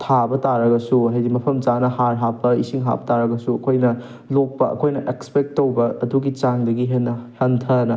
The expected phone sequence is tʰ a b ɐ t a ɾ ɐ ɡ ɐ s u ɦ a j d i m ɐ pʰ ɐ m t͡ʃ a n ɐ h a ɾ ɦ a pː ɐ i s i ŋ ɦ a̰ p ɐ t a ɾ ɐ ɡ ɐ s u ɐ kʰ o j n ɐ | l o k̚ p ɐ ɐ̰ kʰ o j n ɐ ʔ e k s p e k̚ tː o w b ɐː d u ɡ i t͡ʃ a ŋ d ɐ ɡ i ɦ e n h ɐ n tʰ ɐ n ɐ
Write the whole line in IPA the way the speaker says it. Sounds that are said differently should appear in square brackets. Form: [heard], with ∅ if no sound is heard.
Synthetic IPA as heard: tʰ a b ɐ t a ɾ ɐ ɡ ɐ s u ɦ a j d i m ɐ pʰ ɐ m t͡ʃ a n ɐ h a ɾ ɦ a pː ɐ i s i ŋ ɦ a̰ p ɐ t a ɾ ɐ ɡ ɐ s u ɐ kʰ o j n ɐ | l o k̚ p ɐ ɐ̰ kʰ o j n ɐ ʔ e k s p e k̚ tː o w b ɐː d u ɡ i t͡ʃ a ŋ d ɐ ɡ i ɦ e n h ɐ n tʰ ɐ n ɐ